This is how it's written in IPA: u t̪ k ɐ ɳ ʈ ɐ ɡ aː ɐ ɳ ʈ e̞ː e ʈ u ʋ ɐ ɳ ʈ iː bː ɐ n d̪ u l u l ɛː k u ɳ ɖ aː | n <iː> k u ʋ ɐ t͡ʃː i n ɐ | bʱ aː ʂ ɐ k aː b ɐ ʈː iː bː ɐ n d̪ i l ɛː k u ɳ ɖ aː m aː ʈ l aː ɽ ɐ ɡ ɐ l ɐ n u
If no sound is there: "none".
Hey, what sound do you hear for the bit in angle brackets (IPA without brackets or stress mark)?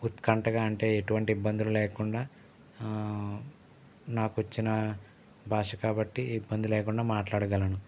aː